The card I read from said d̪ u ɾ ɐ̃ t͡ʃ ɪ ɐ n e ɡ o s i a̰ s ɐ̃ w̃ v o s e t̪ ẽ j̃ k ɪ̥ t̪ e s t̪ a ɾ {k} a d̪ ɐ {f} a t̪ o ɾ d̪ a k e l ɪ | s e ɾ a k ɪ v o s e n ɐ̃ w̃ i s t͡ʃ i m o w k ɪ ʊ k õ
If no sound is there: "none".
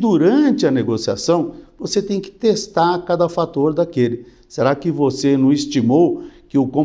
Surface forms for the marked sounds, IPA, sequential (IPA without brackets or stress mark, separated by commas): k, f